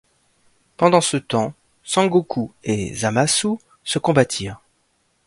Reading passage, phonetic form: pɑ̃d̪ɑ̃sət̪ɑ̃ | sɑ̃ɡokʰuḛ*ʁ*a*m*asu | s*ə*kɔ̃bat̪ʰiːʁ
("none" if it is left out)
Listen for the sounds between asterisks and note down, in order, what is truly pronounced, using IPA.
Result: z, m, ə

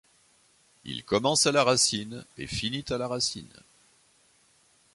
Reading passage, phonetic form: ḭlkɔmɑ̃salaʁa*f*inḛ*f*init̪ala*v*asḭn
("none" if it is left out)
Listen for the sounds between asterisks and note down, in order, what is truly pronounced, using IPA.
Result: s, f, ʁ

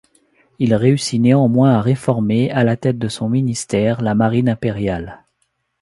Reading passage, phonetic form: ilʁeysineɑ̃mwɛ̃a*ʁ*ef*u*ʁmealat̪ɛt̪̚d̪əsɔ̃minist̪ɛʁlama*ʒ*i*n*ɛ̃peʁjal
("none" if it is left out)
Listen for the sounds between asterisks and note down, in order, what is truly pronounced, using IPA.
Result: ʁ, ɔ, ʁ, n

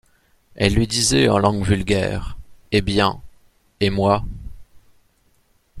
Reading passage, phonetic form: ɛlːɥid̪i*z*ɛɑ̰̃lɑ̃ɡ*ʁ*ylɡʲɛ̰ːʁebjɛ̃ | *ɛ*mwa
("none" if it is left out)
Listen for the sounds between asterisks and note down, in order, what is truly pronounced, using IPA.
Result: z, v, e

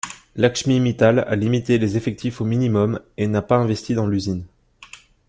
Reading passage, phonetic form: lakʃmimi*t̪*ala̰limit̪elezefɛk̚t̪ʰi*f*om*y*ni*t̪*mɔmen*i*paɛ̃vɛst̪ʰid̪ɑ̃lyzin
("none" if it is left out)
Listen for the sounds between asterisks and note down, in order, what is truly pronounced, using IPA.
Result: t̪, f, i, none, a

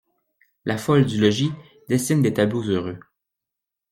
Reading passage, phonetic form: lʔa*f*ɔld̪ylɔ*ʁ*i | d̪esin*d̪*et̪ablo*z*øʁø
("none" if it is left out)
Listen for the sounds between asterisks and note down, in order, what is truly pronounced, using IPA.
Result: f, ʒ, d̪, z

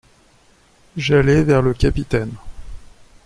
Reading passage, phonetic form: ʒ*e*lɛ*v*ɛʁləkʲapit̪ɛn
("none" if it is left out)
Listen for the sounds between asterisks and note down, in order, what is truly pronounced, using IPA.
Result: a, v

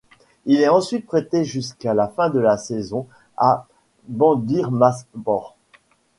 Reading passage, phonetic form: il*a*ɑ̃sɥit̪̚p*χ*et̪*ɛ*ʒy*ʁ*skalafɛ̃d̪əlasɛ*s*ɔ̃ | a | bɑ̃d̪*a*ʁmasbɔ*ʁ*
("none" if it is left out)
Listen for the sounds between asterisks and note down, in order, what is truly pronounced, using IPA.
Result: ɛ, χ, e, none, z, i, ʁ

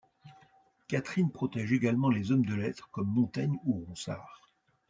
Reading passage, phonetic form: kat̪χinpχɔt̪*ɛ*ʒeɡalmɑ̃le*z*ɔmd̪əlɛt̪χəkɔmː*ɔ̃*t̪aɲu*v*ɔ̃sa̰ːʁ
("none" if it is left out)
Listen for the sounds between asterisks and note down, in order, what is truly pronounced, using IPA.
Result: ɛ, z, ɔ̃, ʁ

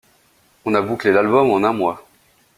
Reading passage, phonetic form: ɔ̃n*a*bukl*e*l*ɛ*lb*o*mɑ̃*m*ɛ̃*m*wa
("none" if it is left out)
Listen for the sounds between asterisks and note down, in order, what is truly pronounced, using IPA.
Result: a, e, a, ɔ, n, m

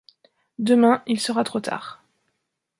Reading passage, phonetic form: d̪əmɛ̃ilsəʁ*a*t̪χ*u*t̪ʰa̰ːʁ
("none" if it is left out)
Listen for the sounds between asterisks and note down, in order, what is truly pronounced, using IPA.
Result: a, o

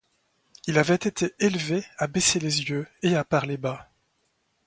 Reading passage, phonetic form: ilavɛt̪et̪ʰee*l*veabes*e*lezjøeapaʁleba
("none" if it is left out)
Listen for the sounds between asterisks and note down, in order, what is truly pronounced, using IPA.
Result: l, e

